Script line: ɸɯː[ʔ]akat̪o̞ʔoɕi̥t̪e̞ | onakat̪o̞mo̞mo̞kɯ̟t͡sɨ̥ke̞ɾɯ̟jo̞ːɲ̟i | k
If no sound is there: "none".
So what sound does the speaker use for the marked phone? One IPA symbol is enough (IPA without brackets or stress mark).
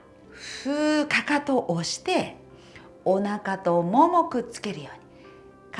k